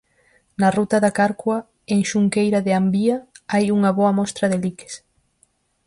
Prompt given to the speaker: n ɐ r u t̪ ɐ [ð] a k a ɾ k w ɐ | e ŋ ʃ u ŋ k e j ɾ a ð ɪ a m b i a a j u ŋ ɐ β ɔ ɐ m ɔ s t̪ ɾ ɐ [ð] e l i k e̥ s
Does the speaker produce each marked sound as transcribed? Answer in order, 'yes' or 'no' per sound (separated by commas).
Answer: yes, yes